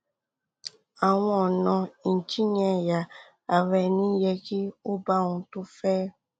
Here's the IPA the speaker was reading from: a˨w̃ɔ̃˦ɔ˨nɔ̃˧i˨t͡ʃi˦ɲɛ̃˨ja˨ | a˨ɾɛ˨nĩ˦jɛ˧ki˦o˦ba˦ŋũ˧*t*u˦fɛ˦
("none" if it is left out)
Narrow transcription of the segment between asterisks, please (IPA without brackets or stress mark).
t